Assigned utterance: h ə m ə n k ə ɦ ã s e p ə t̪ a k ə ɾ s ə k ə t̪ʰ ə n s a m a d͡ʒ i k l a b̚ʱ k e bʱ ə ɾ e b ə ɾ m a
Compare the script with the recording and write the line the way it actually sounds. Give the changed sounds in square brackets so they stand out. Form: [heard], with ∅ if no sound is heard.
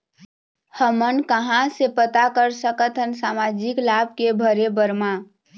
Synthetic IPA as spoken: h ə m ə n k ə ɦ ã s e p ə t̪ a k ə ɾ s ə k ə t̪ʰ ə n s a m a d͡ʒ i k l a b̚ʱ k e bʱ ə ɾ e b ə ɾ m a